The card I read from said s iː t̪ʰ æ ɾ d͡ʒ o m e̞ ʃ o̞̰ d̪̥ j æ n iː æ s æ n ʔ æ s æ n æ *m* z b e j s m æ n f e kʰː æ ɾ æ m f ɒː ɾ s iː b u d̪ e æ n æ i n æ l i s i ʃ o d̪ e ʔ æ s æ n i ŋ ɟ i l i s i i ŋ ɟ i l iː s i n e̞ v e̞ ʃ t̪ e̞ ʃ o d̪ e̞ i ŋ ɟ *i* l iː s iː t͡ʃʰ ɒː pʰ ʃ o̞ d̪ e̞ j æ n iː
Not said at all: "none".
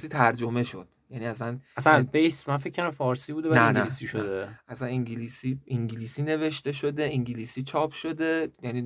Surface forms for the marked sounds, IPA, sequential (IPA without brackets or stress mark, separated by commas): none, i